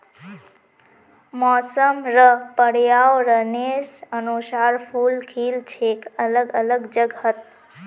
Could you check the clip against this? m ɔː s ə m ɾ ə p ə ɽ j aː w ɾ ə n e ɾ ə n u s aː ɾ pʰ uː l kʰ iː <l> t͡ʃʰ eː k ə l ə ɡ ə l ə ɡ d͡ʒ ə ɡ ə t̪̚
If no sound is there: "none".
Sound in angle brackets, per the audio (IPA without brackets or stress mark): l